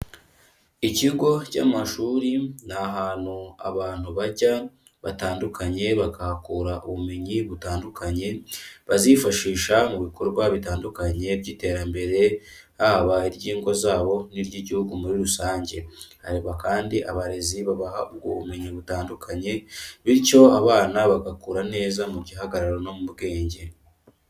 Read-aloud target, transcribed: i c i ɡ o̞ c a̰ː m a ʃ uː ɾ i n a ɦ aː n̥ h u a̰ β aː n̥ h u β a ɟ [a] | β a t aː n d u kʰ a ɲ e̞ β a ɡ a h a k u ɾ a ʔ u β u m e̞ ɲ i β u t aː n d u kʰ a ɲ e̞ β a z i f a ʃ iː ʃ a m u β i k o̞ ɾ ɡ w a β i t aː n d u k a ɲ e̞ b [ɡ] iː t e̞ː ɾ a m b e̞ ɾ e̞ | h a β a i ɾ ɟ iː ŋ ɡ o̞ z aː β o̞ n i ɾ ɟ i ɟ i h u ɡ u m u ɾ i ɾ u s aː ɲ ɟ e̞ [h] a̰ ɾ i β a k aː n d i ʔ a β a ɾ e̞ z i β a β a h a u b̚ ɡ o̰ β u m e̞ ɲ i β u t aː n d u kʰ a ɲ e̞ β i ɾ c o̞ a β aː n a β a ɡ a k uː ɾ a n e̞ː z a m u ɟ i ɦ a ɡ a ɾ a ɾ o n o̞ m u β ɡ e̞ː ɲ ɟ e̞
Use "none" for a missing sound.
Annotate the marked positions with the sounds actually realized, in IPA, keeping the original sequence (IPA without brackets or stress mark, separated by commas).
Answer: a, ɟ, h